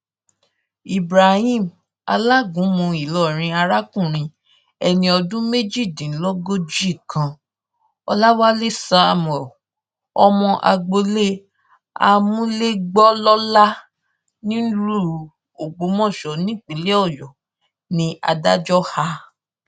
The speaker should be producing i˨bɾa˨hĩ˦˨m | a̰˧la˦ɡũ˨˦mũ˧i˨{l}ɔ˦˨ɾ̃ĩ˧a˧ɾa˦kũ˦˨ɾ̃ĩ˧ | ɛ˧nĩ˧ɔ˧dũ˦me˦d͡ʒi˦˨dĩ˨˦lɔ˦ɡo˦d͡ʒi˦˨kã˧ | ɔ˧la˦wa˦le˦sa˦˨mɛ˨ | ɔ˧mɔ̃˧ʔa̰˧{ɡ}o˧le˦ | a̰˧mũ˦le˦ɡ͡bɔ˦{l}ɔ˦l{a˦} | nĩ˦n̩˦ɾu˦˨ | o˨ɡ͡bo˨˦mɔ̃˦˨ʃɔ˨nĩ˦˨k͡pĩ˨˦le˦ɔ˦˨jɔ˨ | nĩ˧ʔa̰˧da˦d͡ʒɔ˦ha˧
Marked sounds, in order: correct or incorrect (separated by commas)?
correct, incorrect, correct, correct